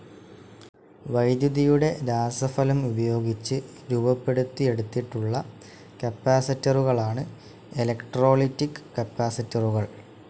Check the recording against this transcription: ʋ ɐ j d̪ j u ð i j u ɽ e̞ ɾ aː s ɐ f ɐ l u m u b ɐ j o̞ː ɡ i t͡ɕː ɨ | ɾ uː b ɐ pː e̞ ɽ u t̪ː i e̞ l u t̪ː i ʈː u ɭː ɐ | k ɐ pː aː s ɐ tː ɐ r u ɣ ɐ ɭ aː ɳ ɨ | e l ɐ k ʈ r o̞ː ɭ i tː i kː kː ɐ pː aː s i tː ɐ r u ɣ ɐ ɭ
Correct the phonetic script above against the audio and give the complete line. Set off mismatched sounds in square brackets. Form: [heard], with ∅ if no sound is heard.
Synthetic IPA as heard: ʋ ɐ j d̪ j u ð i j u ɽ e̞ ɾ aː s ɐ f ɐ l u m u b ɐ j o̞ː ɡ i t͡ɕː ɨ | ɾ uː b ɐ pː e̞ ɽ u t̪ː i e̞ [ɽ] u t̪ː i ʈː u ɭː ɐ | k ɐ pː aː s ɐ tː ɐ r u ɣ ɐ ɭ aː ɳ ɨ | e l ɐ k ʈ r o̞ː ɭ i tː i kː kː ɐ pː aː s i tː ɐ r u ɣ ɐ ɭ

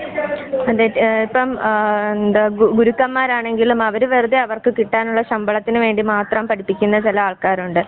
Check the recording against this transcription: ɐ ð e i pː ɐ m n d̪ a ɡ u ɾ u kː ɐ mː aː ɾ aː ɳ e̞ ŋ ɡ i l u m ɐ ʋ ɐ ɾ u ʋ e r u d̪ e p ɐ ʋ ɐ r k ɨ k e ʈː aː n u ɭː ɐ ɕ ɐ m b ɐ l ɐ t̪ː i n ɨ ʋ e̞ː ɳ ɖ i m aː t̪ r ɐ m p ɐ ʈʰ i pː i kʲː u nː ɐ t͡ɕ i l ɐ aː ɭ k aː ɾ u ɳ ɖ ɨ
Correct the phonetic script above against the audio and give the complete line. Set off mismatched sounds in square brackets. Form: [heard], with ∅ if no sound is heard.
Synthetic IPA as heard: ɐ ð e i pː ɐ m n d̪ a ɡ u ɾ u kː ɐ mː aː ɾ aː ɳ e̞ ŋ ɡ i l u m ɐ ʋ ɐ ɾ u ʋ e r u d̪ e [∅] ɐ ʋ ɐ r k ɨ k [i] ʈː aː n u ɭː ɐ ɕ ɐ m b ɐ [ɭ] ɐ t̪ː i n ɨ ʋ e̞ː ɳ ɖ i m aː t̪ r ɐ m p ɐ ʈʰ i pː i kʲː u nː ɐ t͡ɕ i l ɐ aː ɭ k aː ɾ u ɳ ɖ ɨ

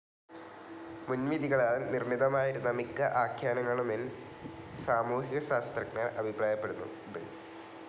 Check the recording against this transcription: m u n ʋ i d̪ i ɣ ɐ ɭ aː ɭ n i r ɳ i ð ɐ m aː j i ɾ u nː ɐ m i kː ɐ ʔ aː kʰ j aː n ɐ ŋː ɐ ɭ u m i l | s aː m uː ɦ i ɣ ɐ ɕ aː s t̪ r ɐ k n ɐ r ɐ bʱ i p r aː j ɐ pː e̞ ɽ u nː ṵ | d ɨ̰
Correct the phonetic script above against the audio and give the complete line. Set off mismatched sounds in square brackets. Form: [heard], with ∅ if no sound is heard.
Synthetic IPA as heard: m u n ʋ i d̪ i ɣ ɐ ɭ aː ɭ n i r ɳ i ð ɐ m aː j i ɾ u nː ɐ m i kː ɐ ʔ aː kʰ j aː n ɐ ŋː ɐ ɭ u m i l | s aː m uː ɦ i ɣ ɐ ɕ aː s t̪ r ɐ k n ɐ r ɐ bʱ i p r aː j ɐ pː e̞ ɽ u nː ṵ | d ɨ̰

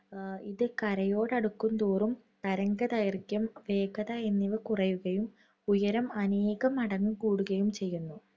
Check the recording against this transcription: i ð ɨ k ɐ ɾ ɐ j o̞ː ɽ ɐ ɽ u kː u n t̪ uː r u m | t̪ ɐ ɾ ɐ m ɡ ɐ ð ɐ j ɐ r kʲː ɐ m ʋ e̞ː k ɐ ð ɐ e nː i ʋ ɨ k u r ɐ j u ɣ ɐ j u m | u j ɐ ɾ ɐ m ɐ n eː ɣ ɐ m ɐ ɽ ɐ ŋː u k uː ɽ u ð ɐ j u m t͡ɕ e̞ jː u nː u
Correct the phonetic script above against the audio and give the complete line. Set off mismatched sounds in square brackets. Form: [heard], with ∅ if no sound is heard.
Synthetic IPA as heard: i ð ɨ k ɐ ɾ ɐ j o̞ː ɽ ɐ ɽ u kː u n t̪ uː r u m | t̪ ɐ ɾ ɐ [ŋ] ɡ ɐ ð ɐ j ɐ r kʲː ɐ m ʋ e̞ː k ɐ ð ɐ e nː i ʋ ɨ k u r ɐ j u ɣ ɐ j u m | u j ɐ ɾ ɐ m ɐ n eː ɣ ɐ m ɐ ɽ ɐ ŋː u k uː ɽ u [ɣ] ɐ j u m t͡ɕ e̞ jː u nː u

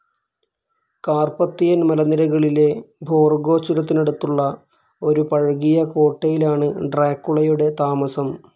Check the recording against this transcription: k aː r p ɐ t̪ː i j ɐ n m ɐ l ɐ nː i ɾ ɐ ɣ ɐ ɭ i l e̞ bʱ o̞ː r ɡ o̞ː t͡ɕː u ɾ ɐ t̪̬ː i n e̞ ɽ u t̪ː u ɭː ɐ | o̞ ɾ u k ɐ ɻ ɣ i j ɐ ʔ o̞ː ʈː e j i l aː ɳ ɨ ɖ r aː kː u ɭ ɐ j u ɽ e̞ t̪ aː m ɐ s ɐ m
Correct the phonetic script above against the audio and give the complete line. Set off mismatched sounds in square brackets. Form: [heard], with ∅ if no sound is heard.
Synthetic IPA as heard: k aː r p ɐ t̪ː i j ɐ n m ɐ l ɐ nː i ɾ ɐ ɣ ɐ ɭ i l e̞ bʱ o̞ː r ɡ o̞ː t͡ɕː u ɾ ɐ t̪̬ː i n e̞ ɽ u t̪ː u ɭː ɐ | o̞ ɾ u [p] ɐ ɻ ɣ i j ɐ [k] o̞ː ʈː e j i l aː ɳ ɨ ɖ r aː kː u ɭ ɐ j u ɽ e̞ t̪ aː m ɐ s ɐ m

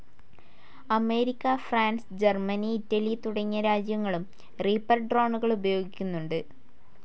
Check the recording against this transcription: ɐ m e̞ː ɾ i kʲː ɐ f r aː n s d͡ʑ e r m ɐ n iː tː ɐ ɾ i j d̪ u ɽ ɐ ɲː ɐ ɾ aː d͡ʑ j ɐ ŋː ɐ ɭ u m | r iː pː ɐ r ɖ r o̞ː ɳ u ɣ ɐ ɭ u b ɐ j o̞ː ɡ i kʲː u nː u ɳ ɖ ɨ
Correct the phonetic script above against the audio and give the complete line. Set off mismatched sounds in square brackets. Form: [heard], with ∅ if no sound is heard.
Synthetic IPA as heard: ɐ m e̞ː ɾ i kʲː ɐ f r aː n s d͡ʑ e r m ɐ n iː tː ɐ [l] i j [t̪] u ɽ ɐ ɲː ɐ ɾ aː d͡ʑ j ɐ ŋː ɐ ɭ u m | r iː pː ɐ r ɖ r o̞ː ɳ u ɣ ɐ ɭ u b ɐ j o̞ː ɡ i kʲː u nː u ɳ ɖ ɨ

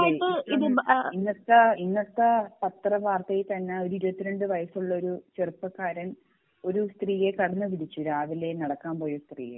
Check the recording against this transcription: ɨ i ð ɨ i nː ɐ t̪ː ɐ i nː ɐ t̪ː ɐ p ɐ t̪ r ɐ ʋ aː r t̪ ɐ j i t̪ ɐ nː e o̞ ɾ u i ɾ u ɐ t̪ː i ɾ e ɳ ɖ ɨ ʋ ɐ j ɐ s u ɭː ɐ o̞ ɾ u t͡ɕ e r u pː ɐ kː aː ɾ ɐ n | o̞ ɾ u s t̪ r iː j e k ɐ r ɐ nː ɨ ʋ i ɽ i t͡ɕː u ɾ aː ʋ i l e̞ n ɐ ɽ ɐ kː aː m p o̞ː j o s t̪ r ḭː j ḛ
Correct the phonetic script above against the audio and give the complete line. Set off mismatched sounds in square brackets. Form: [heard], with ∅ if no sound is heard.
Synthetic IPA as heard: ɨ i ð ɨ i nː ɐ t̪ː ɐ i nː ɐ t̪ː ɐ p ɐ t̪ r ɐ ʋ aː r t̪ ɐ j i t̪ ɐ nː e o̞ ɾ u i ɾ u ɐ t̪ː i ɾ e ɳ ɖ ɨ ʋ ɐ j ɐ s u ɭː ɐ o̞ ɾ u t͡ɕ e r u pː ɐ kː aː ɾ ɐ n | o̞ ɾ u s t̪ r iː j e k ɐ [ɽ] ɐ nː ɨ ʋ i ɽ i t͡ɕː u ɾ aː ʋ i l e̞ n ɐ ɽ ɐ kː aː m p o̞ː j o s t̪ r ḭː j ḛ

